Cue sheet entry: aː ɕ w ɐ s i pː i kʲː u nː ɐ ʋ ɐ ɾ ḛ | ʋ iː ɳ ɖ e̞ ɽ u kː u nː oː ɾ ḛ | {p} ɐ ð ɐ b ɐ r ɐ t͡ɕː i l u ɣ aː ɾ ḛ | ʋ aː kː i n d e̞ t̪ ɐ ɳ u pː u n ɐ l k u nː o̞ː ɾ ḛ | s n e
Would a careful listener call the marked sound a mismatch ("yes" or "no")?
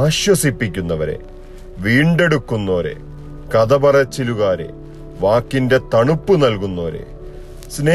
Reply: yes